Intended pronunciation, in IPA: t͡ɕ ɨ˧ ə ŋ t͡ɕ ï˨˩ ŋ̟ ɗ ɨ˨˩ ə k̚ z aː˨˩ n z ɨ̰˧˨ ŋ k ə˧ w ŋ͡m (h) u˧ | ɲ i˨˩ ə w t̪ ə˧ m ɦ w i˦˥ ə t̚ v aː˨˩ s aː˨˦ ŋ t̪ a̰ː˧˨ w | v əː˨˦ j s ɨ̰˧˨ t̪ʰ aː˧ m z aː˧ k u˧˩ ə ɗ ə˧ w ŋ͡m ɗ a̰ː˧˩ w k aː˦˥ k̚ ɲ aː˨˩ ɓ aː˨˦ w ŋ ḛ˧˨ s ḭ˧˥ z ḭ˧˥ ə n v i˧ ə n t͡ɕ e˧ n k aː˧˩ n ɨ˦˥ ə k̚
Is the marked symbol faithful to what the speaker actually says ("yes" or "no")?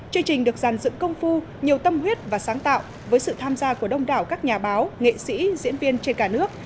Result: no